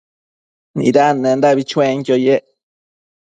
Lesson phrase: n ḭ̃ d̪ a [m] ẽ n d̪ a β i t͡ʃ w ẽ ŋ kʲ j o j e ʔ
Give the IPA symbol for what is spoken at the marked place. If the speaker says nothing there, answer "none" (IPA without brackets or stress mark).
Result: n